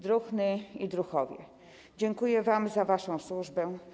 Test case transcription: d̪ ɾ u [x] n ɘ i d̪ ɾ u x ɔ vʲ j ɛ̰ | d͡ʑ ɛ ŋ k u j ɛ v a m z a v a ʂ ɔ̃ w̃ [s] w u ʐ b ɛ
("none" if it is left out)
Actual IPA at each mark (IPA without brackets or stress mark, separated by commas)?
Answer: x, s